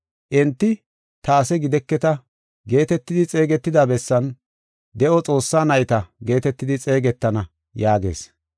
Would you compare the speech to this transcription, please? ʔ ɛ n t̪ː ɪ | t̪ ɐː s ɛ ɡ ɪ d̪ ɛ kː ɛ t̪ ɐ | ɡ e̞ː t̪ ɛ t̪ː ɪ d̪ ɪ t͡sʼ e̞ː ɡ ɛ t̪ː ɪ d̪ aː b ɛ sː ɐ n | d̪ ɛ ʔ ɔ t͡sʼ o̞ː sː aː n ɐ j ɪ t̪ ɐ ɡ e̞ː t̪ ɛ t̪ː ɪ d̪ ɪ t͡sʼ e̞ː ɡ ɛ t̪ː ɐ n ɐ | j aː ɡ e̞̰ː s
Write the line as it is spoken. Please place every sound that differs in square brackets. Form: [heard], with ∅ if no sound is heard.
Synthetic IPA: ʔ ɛ n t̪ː ɪ | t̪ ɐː s ɛ ɡ ɪ d̪ ɛ kː ɛ t̪ ɐ | ɡ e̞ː t̪ ɛ t̪ː ɪ d̪ ɪ t͡sʼ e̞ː ɡ ɛ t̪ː ɪ d̪ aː b ɛ sː ɐ n | d̪ ɛ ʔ ɔ t͡sʼ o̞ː sː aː n ɐ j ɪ t̪ ɐ ɡ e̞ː t̪ ɛ t̪ː ɪ d̪ ɪ t͡sʼ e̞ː ɡ ɛ t̪ː ɐ n ɐ | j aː ɡ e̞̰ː s